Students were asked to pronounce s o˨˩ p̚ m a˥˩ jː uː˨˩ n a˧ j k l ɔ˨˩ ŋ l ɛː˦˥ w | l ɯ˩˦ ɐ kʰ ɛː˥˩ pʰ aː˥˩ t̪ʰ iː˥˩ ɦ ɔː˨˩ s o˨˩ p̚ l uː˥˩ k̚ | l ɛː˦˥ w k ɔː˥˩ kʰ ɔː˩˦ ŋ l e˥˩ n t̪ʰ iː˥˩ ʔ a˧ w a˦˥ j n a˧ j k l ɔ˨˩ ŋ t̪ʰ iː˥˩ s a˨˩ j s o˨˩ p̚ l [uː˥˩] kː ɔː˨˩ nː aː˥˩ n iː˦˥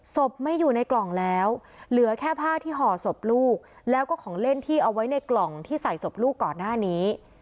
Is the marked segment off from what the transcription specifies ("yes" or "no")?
no